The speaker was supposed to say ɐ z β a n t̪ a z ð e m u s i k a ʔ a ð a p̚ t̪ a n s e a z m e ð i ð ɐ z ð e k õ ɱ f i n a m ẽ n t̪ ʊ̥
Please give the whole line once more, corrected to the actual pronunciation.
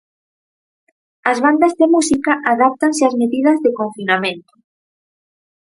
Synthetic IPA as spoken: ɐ z β a n d̪ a z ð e m u s i k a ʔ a ð a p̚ t̪ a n s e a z m e ð i ð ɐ z ð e k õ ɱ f i n a m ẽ n t̪ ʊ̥